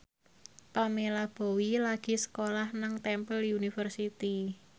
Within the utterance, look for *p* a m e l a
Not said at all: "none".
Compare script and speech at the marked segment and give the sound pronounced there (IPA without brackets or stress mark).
p